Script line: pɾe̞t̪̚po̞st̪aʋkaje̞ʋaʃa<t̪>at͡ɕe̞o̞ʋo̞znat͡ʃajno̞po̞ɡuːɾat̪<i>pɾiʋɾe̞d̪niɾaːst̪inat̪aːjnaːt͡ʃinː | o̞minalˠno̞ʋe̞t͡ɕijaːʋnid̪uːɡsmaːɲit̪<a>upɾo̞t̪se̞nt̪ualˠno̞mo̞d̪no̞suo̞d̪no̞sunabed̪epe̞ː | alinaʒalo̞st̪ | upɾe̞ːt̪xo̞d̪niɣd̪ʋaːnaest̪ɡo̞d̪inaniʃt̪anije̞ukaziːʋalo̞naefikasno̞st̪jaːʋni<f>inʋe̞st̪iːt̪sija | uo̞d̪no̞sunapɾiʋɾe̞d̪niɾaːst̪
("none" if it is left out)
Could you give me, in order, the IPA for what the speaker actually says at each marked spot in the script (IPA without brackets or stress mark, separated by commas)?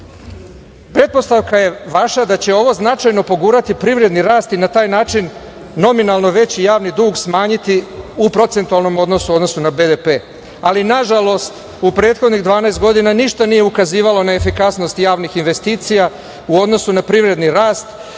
d̪, i, i, x